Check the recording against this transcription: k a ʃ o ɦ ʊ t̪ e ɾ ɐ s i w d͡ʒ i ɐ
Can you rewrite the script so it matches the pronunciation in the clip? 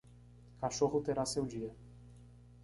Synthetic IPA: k a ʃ o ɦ ʊ t̪ e ɾ a s e w d͡ʒ i ɐ